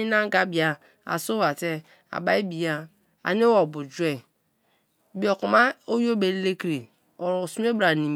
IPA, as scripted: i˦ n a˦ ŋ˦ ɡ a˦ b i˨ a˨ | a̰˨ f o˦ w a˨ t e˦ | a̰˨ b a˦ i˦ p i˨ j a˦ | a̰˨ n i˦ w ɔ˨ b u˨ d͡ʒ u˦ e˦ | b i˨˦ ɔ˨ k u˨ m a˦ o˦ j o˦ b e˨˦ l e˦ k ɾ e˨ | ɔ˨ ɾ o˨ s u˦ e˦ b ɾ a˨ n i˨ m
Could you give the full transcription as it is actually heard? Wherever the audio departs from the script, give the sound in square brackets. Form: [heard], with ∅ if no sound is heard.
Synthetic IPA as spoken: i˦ n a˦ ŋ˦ ɡ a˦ b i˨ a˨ | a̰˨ [s] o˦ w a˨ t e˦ | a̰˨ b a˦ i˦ [b] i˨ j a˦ | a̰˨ n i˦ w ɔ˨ b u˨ d͡ʒ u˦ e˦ | b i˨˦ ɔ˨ k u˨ m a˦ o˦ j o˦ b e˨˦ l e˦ k ɾ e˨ | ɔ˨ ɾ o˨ s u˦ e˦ b ɾ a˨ n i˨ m